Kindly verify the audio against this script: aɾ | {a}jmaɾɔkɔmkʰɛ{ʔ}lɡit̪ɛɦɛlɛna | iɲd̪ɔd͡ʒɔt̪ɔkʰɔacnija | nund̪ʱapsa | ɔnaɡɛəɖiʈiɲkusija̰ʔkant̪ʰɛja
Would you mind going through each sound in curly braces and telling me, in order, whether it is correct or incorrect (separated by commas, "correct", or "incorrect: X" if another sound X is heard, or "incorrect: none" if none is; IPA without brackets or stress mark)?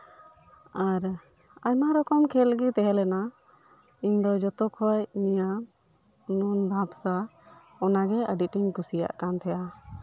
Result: correct, incorrect: none